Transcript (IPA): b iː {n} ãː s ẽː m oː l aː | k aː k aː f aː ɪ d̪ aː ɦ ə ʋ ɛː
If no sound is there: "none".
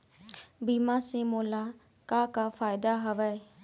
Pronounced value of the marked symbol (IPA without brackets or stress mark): m